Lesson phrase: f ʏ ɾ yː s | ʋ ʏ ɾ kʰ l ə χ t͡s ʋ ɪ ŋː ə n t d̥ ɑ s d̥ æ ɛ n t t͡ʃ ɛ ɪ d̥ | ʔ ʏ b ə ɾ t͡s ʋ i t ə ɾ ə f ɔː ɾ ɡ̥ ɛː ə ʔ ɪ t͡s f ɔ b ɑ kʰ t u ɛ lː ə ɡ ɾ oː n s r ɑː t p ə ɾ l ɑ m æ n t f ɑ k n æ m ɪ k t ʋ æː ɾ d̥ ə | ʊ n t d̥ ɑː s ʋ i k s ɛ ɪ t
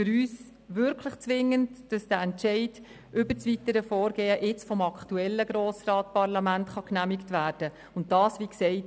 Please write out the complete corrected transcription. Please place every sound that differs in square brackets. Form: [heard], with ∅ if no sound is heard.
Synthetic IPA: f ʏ ɾ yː s | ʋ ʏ ɾ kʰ l ə χ t͡s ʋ ɪ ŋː ə n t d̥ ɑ s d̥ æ ɛ n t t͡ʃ ɛ ɪ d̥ | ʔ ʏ b ə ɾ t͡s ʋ i t ə ɾ ə f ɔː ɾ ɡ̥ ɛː ə ʔ ɪ t͡s f ɔ [m] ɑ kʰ t u ɛ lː ə ɡ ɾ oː [∅] s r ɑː t p [ɑ] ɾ l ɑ m æ n t [χ] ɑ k n æ m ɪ k t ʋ æː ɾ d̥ ə | ʊ n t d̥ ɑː s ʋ i k s ɛ ɪ t